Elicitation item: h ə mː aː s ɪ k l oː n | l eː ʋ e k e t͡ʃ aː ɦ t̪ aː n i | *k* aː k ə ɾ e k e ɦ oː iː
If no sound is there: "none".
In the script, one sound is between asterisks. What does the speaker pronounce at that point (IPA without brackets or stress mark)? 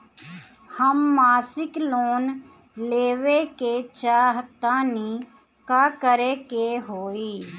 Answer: k